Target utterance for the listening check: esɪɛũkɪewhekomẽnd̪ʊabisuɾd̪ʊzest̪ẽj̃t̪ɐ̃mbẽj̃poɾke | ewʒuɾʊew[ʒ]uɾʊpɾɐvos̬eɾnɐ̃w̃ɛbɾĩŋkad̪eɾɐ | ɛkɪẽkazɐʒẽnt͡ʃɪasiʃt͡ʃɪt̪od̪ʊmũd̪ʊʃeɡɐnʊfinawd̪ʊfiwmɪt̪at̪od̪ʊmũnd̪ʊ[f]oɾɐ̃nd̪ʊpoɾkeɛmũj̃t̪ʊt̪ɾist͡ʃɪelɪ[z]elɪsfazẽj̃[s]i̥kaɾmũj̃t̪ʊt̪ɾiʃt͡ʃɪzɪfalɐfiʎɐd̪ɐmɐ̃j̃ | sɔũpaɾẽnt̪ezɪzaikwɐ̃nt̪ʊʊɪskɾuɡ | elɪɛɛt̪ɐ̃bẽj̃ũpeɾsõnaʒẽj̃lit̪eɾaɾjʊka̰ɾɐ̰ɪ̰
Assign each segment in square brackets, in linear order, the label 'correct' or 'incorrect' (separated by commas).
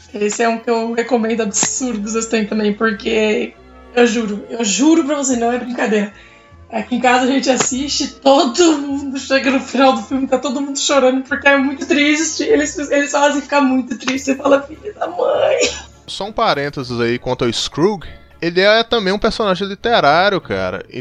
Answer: correct, incorrect, incorrect, incorrect